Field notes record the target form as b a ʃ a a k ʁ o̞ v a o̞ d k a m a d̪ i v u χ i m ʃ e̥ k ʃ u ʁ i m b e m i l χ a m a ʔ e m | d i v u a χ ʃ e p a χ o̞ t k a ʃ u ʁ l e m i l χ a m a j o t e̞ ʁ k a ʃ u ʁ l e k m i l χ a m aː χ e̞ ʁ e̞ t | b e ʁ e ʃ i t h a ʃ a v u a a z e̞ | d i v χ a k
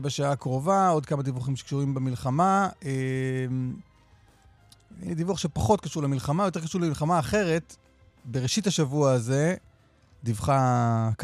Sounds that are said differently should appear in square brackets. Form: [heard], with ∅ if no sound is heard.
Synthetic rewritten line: b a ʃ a a k ʁ o̞ v a o̞ d k a m a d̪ i v u χ i m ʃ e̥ k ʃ u ʁ i m b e m i l χ a m a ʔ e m | d i v u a χ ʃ e p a χ o̞ t k a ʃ u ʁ l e m i l χ a m a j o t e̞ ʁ k a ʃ u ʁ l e [∅] m i l χ a m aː χ e̞ ʁ e̞ t | b e ʁ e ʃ i t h a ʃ a v u a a z e̞ | d i v χ a k